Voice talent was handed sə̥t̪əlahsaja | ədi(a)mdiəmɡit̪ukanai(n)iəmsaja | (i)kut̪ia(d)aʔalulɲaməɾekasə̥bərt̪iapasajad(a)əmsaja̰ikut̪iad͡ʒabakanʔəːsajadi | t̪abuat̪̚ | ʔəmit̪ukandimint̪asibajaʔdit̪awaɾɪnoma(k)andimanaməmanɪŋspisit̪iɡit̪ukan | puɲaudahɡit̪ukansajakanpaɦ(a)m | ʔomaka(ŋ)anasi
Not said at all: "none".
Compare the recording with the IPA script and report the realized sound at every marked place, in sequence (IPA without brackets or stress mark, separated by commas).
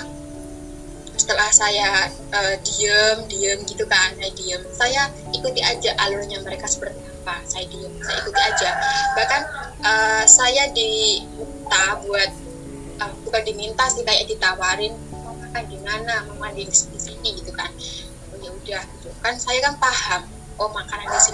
ə, d, i, d͡ʒ, i, k, a, n